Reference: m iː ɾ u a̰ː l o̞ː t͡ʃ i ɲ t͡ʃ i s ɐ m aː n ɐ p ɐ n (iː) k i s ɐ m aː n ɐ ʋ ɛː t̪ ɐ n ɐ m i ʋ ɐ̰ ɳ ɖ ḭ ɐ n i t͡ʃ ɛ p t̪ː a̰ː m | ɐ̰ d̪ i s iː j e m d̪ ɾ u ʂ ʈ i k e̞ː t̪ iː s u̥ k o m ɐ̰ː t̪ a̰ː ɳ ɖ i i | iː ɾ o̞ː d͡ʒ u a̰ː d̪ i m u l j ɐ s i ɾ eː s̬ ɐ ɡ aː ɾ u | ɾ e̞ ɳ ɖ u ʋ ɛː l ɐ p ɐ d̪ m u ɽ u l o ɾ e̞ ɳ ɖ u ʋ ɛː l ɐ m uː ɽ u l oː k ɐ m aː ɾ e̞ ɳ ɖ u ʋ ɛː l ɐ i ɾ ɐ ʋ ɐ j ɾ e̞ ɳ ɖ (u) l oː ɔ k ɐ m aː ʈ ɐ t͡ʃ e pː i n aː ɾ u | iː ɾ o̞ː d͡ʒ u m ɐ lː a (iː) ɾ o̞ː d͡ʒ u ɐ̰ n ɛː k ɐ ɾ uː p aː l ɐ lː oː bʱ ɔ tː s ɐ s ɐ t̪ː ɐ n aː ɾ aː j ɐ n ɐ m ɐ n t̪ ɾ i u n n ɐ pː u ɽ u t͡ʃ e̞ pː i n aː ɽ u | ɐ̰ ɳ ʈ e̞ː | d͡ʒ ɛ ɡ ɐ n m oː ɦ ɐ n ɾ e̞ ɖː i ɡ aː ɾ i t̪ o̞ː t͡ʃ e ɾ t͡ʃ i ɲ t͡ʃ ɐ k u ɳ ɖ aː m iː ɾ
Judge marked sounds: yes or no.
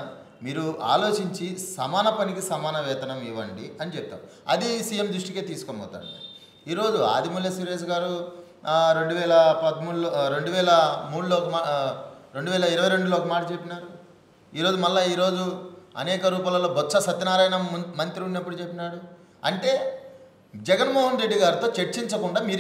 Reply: no, yes, yes

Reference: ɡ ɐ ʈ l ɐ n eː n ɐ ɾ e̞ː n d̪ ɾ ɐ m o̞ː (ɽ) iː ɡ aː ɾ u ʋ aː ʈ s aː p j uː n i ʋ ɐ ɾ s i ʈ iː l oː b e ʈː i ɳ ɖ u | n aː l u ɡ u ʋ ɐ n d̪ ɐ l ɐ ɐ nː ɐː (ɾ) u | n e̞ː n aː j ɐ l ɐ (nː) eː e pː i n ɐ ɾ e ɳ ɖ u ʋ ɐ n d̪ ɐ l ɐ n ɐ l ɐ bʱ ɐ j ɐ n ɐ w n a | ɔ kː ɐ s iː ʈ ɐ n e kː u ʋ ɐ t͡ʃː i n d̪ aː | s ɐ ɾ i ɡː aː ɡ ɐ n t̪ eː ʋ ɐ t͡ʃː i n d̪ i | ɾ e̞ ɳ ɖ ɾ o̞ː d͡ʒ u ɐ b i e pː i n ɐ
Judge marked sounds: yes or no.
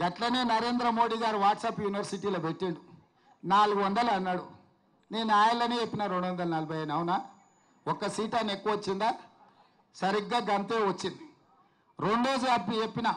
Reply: yes, no, no

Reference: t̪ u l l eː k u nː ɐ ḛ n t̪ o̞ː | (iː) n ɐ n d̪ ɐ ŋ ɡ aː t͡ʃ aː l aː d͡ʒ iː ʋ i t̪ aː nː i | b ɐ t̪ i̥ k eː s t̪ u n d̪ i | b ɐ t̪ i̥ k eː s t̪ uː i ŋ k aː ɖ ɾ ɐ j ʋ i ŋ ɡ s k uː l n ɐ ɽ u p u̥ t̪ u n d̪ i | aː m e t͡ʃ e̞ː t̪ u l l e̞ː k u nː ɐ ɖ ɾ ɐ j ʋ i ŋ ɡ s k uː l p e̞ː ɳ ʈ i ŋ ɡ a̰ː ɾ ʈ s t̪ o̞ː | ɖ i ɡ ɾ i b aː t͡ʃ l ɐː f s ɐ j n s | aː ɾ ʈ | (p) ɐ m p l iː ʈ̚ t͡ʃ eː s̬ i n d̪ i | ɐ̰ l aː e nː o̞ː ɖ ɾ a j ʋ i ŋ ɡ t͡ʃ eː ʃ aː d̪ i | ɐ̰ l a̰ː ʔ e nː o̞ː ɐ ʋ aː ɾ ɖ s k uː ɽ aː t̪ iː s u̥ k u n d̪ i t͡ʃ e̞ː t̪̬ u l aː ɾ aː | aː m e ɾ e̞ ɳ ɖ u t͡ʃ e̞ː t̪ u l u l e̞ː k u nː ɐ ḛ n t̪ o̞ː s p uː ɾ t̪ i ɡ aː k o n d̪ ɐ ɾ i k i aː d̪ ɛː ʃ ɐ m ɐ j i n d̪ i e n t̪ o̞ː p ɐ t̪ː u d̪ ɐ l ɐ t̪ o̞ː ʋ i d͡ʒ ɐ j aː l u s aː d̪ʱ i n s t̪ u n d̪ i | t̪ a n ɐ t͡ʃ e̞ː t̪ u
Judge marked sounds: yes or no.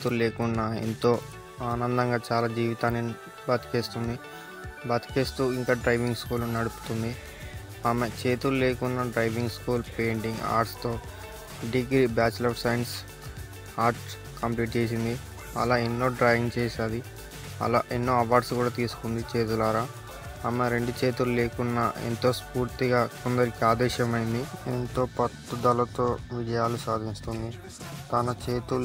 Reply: no, no

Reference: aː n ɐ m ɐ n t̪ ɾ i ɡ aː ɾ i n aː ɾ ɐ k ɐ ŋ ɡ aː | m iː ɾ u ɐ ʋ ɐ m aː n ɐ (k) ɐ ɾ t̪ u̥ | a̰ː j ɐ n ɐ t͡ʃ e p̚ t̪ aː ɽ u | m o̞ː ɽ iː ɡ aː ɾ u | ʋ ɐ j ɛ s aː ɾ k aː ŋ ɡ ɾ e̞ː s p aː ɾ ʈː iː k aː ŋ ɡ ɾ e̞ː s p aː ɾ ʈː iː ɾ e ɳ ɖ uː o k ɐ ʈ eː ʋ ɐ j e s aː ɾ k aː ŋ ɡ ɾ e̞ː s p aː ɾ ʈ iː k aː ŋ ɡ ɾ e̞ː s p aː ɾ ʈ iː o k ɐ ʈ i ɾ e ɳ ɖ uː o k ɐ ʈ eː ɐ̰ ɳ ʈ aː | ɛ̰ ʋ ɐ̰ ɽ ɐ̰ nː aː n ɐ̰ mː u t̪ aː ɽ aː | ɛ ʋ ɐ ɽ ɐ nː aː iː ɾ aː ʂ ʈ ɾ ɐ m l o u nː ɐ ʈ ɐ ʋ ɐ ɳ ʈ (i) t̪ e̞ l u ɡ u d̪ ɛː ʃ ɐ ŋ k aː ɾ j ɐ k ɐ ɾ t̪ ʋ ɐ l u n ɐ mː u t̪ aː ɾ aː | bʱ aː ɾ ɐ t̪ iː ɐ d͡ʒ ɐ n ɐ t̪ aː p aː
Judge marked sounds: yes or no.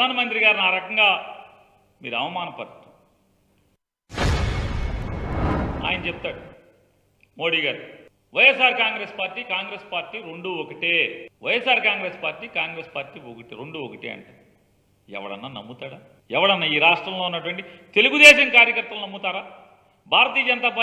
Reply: no, yes

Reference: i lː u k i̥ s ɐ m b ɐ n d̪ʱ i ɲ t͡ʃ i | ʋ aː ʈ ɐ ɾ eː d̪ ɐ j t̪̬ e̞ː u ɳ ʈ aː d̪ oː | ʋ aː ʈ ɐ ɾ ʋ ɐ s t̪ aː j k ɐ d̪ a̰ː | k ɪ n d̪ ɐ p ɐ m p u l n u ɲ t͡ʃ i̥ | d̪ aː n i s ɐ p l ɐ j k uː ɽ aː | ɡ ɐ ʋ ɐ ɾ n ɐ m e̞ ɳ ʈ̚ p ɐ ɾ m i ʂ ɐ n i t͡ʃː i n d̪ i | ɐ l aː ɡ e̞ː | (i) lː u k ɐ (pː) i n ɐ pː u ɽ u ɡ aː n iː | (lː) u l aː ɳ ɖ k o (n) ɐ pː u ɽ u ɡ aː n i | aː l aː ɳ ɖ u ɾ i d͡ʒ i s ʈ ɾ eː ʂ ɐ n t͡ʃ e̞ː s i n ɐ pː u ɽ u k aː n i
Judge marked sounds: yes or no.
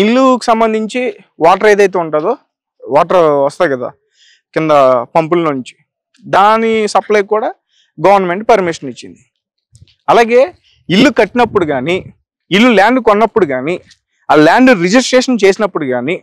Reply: yes, no, yes, no

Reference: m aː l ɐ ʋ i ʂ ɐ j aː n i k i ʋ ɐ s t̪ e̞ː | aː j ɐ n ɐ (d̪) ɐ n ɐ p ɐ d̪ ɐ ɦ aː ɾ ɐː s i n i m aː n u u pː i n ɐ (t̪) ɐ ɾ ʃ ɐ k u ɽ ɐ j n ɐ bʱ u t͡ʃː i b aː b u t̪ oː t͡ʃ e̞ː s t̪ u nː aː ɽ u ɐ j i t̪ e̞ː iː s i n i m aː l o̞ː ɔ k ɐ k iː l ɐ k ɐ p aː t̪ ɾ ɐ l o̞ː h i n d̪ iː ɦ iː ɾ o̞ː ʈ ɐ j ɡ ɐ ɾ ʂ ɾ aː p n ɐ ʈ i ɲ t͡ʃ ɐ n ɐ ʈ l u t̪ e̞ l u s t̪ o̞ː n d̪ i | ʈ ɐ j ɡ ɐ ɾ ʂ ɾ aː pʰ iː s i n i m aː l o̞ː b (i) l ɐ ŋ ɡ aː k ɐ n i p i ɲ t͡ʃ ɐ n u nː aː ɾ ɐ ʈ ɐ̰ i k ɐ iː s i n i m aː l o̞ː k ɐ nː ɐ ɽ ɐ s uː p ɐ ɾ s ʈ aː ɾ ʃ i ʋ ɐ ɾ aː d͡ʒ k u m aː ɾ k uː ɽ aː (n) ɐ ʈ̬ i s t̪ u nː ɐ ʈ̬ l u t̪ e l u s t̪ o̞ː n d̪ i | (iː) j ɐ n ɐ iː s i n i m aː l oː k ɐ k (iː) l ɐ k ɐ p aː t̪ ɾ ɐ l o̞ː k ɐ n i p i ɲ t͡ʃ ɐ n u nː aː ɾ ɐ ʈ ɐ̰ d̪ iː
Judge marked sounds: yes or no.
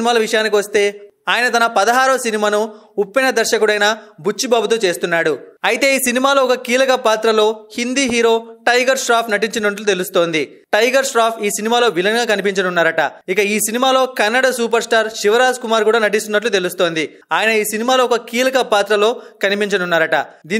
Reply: no, no, yes, yes, no, yes

